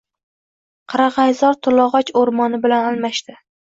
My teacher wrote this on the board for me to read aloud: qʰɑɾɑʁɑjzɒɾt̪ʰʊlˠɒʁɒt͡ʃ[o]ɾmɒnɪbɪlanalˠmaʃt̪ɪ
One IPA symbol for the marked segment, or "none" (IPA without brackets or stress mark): o